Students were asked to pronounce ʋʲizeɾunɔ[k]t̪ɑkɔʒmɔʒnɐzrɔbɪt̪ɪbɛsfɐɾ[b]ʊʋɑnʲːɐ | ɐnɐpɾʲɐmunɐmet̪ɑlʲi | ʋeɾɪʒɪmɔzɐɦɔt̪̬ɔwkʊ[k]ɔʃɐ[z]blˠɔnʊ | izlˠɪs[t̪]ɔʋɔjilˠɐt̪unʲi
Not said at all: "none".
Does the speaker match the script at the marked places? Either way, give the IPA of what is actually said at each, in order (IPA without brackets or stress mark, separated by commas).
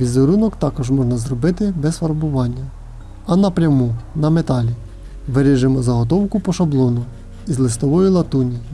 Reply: k, b, p, none, t̪